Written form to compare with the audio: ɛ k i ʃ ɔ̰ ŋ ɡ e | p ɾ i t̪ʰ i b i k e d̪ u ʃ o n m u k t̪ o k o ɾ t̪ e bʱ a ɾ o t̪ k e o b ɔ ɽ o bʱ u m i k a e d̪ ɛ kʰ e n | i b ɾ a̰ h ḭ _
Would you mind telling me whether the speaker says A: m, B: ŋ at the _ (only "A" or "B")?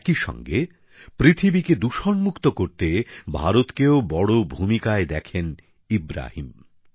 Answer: A